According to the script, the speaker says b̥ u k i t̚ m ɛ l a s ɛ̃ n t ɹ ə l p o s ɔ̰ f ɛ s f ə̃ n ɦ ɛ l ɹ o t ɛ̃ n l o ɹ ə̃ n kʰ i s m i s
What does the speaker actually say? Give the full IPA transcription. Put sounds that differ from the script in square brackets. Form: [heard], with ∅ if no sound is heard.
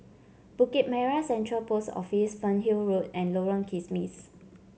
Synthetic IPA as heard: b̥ u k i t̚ m ɛ [ɹ] a s ɛ̃ n t ɹ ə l p o s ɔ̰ f [i] s f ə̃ n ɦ [i] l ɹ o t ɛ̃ n l o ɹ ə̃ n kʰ i s m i s